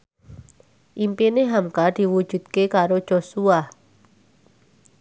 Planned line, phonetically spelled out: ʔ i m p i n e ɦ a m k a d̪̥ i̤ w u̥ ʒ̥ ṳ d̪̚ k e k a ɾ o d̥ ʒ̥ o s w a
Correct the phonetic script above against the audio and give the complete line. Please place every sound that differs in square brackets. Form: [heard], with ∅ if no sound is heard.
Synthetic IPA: ʔ i m p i n e ɦ a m k a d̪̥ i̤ w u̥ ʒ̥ ṳ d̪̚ k e k a ɾ o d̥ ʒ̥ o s [u] a